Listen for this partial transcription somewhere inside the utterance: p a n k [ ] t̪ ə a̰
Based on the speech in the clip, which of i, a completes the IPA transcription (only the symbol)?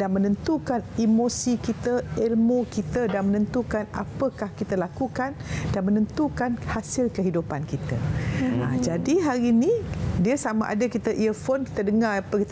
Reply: i